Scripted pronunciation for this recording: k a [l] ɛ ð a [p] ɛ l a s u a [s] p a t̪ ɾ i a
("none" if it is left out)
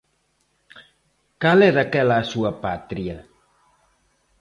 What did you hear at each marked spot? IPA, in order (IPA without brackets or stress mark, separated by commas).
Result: l, k, none